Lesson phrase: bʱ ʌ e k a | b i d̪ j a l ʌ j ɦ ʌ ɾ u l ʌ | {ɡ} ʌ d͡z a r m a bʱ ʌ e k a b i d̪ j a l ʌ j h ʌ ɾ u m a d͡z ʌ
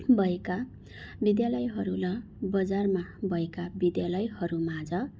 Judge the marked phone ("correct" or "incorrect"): incorrect